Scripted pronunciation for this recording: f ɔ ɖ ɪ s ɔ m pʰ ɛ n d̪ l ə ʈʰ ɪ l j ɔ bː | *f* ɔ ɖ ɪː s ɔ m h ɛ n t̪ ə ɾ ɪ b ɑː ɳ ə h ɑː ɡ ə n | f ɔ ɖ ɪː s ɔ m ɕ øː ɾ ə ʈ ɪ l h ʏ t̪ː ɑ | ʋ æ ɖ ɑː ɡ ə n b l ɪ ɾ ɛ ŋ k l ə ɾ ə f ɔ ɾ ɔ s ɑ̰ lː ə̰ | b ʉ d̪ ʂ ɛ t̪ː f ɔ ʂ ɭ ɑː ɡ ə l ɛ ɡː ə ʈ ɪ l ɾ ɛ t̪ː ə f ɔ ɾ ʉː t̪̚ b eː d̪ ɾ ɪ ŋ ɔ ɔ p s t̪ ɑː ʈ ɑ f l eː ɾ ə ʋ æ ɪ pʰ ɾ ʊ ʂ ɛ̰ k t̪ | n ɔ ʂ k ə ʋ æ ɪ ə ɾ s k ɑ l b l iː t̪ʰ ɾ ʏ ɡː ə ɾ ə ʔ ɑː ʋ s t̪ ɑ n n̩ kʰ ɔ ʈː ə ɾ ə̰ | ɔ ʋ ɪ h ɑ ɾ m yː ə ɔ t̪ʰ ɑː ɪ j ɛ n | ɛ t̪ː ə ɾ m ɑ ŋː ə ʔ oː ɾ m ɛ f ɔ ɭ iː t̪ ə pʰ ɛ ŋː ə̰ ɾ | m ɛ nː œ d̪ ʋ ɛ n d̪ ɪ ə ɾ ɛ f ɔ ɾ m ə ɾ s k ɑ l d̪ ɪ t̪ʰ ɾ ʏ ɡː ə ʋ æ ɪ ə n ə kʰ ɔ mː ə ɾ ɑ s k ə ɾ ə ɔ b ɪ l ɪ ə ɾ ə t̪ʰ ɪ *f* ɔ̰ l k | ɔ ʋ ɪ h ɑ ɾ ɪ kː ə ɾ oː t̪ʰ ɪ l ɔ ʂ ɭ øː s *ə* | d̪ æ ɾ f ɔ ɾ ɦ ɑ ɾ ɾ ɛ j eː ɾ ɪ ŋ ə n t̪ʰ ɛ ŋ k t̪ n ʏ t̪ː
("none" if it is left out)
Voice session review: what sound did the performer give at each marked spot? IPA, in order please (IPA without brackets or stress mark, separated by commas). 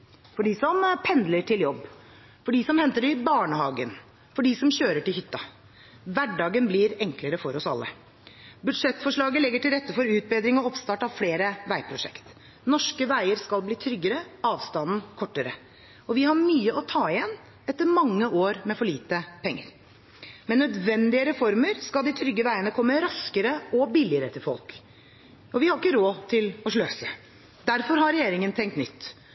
f, f, ə